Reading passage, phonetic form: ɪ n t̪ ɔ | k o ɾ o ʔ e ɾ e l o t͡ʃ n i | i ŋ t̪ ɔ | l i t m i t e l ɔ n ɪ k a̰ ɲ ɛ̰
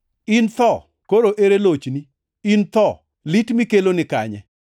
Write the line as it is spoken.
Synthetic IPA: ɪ n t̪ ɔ | k o ɾ o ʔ e ɾ e l o t͡ʃ n i | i n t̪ ɔ | l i t m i k e l o n ɪ k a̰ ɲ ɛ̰